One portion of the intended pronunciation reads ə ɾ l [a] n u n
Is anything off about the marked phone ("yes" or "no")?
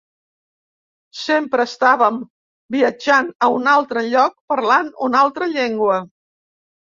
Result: no